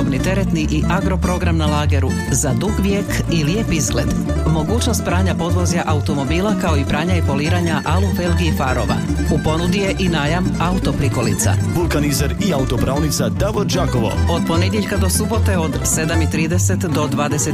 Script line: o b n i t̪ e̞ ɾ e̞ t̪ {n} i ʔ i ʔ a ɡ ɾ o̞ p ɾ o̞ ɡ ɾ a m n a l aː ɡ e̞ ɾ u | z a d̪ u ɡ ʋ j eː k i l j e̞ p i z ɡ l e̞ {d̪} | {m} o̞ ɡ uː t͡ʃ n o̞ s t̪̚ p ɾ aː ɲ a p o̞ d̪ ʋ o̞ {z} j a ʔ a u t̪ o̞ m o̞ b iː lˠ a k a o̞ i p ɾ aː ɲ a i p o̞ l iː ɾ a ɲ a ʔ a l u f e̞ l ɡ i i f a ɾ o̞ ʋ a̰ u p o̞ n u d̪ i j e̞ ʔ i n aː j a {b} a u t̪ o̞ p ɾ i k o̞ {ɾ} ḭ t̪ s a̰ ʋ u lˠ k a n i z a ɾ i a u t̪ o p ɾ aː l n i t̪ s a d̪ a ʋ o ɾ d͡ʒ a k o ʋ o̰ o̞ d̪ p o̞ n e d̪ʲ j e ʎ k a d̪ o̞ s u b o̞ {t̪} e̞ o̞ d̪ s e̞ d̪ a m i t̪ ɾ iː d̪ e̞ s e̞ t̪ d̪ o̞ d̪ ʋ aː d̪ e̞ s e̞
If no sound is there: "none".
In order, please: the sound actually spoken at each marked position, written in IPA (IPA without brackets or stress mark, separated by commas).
n, d̪, m, z, m, l, t̪